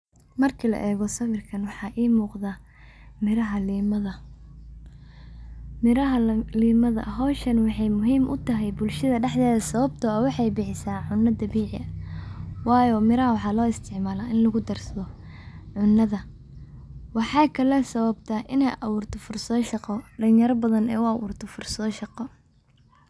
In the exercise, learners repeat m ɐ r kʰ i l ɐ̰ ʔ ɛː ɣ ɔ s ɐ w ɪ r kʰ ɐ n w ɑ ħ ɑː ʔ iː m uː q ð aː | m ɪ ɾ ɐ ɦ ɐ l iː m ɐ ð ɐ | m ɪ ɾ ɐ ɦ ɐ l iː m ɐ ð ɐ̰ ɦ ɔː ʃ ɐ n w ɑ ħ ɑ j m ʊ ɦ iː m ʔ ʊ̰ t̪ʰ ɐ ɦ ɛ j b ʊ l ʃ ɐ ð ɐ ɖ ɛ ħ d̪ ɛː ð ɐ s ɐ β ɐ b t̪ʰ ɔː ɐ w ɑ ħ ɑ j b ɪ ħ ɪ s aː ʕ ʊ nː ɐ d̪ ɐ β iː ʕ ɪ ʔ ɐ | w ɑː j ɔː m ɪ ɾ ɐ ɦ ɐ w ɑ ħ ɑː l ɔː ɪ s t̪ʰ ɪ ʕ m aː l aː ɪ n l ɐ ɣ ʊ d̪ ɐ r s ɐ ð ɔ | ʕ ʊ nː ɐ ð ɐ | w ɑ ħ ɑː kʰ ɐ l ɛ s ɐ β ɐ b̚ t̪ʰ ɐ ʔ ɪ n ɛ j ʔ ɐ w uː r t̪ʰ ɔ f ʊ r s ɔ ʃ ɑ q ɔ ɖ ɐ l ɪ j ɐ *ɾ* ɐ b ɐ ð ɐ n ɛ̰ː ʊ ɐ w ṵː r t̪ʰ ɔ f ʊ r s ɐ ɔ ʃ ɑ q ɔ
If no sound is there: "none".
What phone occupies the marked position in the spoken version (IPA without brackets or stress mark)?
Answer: ɾ